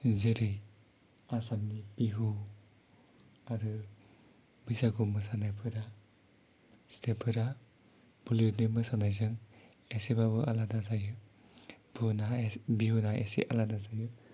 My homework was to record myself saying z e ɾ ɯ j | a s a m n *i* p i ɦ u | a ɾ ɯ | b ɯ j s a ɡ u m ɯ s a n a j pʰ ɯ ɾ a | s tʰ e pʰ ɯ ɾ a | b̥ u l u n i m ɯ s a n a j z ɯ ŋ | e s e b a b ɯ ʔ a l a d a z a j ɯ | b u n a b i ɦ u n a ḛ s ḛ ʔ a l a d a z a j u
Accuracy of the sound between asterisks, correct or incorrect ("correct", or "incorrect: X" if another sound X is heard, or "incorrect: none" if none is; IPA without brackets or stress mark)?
correct